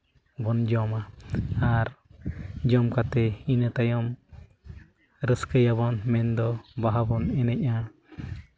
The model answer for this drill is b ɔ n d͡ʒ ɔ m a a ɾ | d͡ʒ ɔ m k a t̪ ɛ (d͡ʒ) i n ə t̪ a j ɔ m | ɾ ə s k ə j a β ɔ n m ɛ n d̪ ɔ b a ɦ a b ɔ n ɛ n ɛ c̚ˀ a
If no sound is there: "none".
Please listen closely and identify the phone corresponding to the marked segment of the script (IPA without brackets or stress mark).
none